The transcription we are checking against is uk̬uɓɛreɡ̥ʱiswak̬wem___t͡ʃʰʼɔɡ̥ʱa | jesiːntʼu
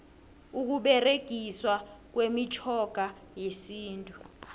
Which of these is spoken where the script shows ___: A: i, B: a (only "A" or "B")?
A